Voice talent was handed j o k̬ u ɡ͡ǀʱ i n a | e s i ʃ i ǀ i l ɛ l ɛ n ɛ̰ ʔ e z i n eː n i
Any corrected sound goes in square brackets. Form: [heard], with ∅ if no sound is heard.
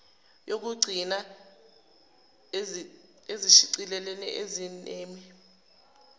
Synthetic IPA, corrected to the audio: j o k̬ u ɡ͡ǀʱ i n a | e [z] i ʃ i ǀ i l ɛ l ɛ n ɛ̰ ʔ e z i n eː [m] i